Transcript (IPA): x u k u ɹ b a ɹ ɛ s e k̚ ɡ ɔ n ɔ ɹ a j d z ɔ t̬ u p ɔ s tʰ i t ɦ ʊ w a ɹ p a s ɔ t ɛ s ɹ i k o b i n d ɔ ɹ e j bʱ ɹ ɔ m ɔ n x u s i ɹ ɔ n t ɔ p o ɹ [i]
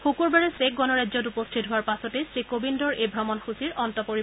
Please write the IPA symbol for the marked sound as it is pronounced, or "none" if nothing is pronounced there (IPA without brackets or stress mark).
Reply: i